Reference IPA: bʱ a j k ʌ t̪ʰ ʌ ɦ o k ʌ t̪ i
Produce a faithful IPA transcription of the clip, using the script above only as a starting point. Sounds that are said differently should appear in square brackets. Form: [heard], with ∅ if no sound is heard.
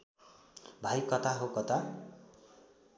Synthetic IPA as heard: bʱ a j k ʌ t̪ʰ [a] ɦ o k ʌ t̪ [a]

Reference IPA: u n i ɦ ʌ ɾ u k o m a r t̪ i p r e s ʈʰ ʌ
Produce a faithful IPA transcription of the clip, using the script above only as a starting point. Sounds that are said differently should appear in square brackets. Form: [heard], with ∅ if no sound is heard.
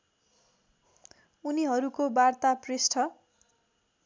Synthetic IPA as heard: u n i ɦ ʌ ɾ u k o [b] a r t̪ [a] p r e s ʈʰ ʌ

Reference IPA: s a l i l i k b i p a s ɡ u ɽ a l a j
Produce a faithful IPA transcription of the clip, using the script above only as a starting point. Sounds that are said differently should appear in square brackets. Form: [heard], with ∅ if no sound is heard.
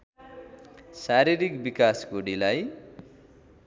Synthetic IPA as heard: s a [ɾ] i [ɾ] i k b i [k] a s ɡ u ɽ [i] l a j

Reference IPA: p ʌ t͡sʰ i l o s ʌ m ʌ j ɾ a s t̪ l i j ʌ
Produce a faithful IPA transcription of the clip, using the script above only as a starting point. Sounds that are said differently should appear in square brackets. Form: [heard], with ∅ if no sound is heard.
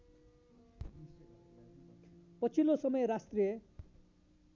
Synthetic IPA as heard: p ʌ t͡sʰ i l o s ʌ m ʌ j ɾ a s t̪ [r] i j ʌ

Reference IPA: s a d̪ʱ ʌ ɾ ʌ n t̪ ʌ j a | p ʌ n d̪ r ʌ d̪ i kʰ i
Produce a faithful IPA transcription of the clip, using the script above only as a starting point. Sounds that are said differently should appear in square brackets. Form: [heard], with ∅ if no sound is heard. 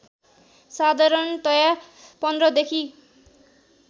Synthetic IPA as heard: s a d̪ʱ [a] ɾ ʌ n t̪ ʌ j a | p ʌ n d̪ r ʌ d̪ [e] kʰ i

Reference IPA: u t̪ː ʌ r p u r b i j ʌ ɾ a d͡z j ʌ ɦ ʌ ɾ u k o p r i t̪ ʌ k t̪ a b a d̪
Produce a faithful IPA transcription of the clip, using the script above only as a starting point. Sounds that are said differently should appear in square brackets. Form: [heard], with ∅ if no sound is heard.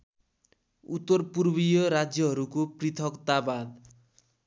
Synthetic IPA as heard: u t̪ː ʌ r p u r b i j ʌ ɾ a d͡z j ʌ ɦ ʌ ɾ u k o p r i [t̪ʰ] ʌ k t̪ a b a d̪

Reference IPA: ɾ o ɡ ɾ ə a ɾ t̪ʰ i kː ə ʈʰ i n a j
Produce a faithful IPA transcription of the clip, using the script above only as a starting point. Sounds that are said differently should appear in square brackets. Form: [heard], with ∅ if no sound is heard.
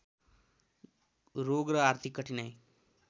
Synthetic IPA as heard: ɾ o ɡ ɾ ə a ɾ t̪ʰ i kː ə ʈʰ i n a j

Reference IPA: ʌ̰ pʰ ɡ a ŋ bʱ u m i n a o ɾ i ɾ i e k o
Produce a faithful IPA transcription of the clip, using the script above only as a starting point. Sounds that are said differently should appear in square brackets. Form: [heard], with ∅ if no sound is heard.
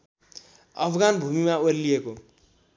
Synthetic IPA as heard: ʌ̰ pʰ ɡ a [n] bʱ u m i [m] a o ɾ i [l] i e k o

